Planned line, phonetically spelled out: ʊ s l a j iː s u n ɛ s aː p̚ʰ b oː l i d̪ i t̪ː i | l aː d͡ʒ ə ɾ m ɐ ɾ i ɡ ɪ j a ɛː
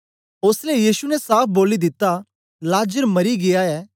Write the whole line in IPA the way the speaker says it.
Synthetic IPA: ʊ s l e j iː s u n ɛ s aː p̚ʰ b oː l i d̪ ɪ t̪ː a | l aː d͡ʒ ə ɾ m ɐ ɾ i ɡ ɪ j a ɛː

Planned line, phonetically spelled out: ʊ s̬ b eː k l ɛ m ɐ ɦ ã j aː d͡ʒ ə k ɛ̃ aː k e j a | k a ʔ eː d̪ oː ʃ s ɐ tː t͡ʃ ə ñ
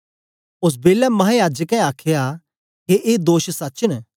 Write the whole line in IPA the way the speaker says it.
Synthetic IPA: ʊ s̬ b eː l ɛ m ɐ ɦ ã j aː d͡ʒ ə k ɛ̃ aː kʰ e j a | k e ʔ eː d̪ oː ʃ s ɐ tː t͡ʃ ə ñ

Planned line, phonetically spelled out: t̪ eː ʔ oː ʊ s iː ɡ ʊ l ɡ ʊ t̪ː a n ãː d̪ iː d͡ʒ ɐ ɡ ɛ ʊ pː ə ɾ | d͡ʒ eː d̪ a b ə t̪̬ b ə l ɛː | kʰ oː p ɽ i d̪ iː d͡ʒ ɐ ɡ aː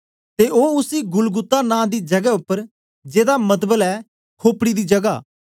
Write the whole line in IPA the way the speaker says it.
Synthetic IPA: t̪ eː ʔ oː ʊ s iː ɡ ʊ l ɡ ʊ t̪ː a n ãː d̪ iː d͡ʒ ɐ ɡ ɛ ʊ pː ə ɾ | d͡ʒ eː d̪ a m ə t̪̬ b ə l ɛː | kʰ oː p ɽ i d̪ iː d͡ʒ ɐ ɡ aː

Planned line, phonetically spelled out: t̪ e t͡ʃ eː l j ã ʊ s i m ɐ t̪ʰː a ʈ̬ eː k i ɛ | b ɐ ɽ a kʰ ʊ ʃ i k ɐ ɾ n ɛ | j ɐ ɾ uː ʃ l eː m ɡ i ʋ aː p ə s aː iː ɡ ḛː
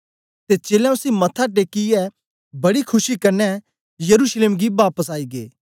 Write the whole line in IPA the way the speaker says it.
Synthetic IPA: t̪ e t͡ʃ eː l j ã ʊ s i m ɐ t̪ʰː a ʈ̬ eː k i ɛ | b ɐ ɽ i kʰ ʊ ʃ i k ɐ ɾ n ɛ | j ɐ ɾ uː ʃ l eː m ɡ i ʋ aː p ə s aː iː ɡ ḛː

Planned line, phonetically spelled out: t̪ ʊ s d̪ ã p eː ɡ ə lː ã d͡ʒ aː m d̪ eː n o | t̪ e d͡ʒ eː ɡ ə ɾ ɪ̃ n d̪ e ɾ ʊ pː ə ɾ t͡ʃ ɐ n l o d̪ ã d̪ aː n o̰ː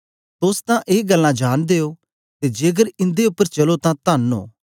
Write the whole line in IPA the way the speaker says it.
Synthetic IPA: t̪ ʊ s t̪ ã ʔ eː ɡ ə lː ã d͡ʒ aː n d̪ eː o | t̪ e d͡ʒ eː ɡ ə ɾ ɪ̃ n d̪ e ʊ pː ə ɾ t͡ʃ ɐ l o t̪ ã t̪ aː n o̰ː

